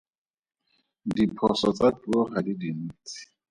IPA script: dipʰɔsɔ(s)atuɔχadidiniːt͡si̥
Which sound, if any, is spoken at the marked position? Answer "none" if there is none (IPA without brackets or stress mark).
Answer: t͡s